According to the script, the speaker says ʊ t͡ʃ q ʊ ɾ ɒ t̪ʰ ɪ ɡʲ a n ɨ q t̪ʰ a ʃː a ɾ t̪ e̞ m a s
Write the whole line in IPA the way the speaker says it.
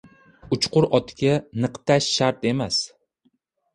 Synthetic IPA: ʊ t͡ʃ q ʊ ɾ ɒ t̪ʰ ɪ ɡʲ a n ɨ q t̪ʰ a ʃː a ɾ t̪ e̞ m a s